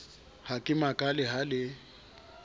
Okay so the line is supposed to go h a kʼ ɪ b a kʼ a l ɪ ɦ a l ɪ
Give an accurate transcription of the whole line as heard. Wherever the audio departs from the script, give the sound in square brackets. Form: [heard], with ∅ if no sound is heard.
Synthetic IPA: h a kʼ ɪ [m] a kʼ a l ɪ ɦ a l ɪ